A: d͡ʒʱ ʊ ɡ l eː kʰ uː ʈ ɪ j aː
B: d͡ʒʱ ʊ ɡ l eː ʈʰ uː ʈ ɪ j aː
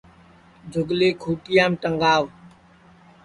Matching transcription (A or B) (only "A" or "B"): A